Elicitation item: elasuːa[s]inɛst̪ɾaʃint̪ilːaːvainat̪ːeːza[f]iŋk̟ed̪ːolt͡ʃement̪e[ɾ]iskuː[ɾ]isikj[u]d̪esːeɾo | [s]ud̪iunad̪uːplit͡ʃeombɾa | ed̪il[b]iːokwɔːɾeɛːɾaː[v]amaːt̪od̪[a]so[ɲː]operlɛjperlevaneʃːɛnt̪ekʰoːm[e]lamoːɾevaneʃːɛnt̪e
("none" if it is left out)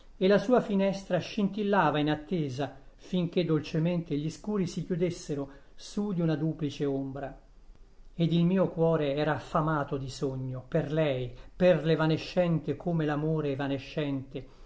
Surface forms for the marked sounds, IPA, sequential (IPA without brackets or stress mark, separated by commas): f, f, ʎ, ɾ, u, s, m, f, i, ɲː, e